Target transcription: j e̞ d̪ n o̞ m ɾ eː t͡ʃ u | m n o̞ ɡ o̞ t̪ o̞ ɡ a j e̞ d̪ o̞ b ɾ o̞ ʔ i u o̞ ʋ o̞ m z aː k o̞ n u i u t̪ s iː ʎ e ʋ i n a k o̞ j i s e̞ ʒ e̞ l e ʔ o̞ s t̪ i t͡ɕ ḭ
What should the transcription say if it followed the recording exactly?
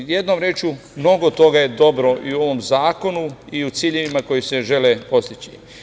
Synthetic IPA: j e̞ d̪ n o̞ m ɾ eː t͡ʃ u | m n o̞ ɡ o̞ t̪ o̞ ɡ a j e̞ d̪ o̞ b ɾ o̞ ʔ i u o̞ ʋ o̞ m z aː k o̞ n u i u t̪ s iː ʎ e ʋ i m a k o̞ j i s e̞ ʒ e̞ l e p o̞ s t̪ i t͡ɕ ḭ